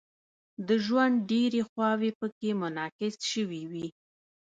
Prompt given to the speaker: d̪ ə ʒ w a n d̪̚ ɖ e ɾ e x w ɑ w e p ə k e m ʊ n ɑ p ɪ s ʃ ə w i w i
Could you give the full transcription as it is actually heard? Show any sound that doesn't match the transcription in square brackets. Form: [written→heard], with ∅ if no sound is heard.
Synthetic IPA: d̪ ə ʒ w a n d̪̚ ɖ e ɾ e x w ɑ w e p ə k e m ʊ n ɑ [p→k] ɪ s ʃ ə w i w i